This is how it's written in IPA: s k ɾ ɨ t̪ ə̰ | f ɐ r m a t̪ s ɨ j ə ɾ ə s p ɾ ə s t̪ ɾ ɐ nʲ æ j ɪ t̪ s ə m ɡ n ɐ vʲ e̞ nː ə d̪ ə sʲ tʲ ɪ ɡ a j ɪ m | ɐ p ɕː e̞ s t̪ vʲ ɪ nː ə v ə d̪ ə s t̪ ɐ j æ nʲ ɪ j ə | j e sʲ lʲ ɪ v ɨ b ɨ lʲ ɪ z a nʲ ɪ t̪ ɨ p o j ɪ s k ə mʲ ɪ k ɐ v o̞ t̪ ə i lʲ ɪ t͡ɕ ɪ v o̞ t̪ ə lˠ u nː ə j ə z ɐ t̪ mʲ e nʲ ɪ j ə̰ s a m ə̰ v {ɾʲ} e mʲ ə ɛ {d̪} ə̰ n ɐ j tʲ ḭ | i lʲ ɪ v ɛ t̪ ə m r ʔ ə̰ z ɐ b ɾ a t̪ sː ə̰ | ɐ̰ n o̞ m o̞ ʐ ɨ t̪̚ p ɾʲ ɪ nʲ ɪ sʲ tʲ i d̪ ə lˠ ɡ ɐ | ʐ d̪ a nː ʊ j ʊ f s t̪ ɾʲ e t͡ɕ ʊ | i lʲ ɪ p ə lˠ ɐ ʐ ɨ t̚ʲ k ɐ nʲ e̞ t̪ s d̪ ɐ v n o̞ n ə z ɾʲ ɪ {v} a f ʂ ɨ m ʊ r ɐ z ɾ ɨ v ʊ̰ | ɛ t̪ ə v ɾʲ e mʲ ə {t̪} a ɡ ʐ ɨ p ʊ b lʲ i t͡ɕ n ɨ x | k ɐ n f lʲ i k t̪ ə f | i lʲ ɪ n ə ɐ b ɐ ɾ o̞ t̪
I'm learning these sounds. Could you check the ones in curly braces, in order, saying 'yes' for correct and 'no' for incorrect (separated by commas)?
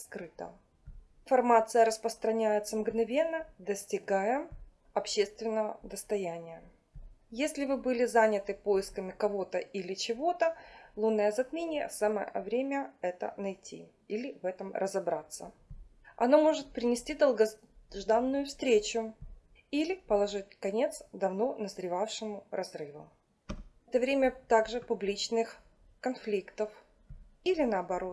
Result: yes, no, yes, yes